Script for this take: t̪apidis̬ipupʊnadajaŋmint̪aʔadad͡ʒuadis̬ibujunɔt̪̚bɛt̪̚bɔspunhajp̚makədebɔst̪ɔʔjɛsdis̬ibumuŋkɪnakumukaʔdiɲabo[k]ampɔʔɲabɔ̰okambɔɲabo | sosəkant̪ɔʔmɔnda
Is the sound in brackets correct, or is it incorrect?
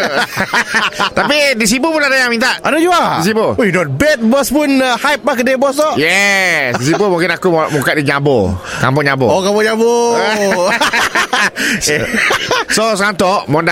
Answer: correct